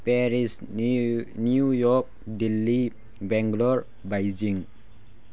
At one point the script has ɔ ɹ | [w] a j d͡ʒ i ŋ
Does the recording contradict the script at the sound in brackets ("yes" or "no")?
yes